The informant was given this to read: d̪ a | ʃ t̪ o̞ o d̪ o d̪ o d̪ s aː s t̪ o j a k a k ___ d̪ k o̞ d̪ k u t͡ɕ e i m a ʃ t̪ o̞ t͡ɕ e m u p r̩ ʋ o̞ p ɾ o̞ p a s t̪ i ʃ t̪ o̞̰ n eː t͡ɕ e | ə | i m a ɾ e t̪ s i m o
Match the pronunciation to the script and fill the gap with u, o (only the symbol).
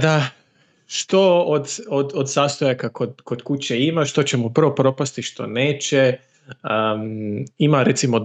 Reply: o